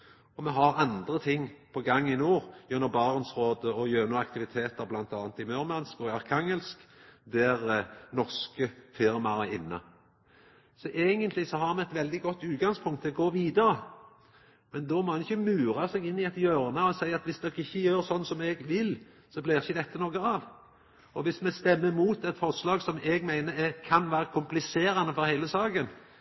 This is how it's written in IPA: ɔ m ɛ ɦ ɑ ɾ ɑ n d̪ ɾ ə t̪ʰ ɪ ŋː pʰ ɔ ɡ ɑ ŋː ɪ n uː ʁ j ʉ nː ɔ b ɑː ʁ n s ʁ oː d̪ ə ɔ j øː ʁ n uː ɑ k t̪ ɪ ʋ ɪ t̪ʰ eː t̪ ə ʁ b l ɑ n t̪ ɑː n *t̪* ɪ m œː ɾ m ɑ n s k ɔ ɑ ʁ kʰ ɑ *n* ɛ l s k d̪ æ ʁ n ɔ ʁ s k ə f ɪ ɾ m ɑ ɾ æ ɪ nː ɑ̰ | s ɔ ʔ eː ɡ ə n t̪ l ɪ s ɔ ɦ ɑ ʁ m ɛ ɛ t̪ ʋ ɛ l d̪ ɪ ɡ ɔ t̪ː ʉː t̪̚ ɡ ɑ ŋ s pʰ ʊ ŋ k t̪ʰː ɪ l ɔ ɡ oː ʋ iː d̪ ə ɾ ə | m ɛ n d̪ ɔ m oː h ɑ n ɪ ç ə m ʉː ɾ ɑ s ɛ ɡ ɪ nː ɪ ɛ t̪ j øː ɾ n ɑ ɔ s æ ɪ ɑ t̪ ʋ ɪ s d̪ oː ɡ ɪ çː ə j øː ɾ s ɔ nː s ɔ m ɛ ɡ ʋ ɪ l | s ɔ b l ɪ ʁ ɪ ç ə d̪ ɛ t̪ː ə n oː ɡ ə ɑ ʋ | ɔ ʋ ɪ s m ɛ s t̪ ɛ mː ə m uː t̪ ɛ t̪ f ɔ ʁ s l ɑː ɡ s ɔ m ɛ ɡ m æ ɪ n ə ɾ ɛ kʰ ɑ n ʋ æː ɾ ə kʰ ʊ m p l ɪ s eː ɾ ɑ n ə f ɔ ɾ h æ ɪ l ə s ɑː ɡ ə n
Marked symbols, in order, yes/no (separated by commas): yes, no